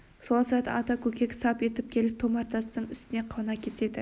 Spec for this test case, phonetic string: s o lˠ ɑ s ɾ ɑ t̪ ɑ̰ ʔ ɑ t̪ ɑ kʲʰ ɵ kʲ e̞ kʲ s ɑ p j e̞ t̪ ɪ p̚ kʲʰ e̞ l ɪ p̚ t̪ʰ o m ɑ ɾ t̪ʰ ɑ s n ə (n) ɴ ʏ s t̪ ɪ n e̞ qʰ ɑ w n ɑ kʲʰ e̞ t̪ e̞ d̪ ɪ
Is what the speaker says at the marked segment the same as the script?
no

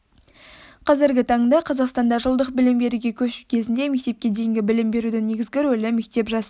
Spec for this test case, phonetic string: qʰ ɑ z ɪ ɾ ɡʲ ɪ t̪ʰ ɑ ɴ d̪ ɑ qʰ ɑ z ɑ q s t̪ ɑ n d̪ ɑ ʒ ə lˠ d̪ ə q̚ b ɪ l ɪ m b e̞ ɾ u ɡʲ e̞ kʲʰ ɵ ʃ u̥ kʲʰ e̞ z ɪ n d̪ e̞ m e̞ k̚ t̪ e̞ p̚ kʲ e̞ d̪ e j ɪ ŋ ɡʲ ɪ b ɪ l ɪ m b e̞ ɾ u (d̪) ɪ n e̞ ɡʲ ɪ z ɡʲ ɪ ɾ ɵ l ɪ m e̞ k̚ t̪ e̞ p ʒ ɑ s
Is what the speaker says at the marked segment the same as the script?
yes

